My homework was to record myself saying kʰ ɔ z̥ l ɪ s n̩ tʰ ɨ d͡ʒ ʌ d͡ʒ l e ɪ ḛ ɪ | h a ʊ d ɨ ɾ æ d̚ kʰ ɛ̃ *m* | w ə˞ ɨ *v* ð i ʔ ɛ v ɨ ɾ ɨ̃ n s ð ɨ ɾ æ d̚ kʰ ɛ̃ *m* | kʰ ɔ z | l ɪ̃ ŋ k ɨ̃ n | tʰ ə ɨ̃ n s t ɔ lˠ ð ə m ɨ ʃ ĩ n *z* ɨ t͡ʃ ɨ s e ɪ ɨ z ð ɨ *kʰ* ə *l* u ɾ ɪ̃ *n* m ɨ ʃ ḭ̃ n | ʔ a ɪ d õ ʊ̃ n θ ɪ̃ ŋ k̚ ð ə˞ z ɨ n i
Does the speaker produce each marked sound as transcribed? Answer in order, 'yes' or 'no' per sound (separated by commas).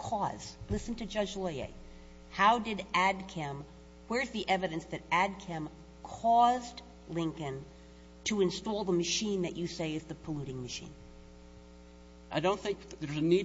yes, no, yes, no, no, yes, no